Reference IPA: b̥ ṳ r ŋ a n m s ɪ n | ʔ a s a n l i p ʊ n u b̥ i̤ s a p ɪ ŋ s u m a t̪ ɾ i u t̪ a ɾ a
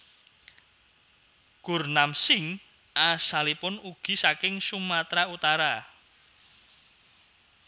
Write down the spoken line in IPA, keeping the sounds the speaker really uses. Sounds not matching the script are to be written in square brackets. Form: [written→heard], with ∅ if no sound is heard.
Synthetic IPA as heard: [b̥→ɡ̥] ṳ r [ŋ→n] a [n→∅] m s ɪ [n→ŋ] | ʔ a s a [n→∅] l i p ʊ n u [b̥→ɡ̥] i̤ s a [p→k] ɪ ŋ s u m a t̪ ɾ [i→a] u t̪ a ɾ a